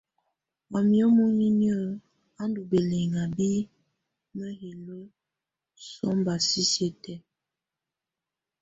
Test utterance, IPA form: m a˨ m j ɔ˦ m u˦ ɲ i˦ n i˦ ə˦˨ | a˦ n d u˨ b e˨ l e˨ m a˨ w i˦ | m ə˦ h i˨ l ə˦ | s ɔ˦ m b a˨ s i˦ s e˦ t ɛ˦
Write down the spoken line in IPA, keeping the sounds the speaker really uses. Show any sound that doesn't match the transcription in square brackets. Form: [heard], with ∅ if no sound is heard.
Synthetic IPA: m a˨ m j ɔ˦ m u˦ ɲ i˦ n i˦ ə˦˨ | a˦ n d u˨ b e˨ l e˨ [ŋ] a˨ [b] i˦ | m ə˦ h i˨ l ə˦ | s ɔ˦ m b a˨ s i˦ s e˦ t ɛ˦